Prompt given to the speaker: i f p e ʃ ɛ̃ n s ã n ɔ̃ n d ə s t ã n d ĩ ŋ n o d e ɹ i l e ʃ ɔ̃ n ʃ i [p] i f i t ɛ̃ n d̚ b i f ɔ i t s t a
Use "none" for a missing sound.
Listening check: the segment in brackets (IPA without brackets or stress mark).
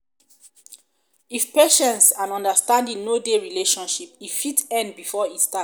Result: p